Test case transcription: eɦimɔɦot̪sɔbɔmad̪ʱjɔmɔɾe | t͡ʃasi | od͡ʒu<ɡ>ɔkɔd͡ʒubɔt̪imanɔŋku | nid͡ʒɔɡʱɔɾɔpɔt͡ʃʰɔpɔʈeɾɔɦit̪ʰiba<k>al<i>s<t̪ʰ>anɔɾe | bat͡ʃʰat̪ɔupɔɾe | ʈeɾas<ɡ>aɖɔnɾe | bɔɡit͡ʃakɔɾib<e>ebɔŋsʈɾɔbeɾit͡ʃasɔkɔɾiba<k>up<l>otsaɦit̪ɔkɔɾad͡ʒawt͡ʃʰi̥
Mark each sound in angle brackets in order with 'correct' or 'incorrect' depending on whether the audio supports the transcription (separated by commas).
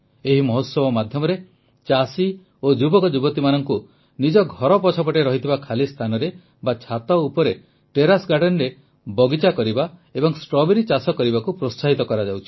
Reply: incorrect, incorrect, correct, correct, correct, incorrect, correct, incorrect